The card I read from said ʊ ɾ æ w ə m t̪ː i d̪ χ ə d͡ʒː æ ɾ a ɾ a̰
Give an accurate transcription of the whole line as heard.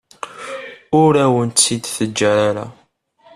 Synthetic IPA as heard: ʊ ɾ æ w ə n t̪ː i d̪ θ ə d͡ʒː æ ɾ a ɾ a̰